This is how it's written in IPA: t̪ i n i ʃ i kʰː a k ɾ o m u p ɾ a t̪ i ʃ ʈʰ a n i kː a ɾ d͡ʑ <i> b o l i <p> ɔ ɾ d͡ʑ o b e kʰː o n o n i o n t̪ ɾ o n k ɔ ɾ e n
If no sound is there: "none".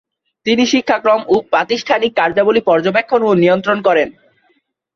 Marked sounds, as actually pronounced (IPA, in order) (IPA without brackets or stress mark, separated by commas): a, p